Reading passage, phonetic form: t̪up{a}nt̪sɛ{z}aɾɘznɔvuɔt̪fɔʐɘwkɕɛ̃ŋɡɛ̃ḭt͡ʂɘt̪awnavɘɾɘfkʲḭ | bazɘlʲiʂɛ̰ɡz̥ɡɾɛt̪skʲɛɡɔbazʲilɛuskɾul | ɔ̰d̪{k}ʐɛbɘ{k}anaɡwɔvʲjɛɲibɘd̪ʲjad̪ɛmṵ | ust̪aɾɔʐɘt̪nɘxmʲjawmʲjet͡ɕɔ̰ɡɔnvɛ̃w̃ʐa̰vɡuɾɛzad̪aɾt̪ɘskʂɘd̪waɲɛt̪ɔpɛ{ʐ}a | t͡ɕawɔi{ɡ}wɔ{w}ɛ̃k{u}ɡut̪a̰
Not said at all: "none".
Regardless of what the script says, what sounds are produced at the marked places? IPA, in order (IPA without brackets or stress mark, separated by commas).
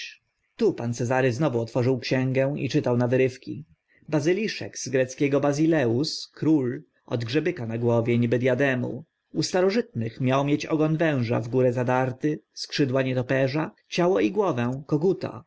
a, z, ɡ, k, ʐ, ɡ, v, ɔ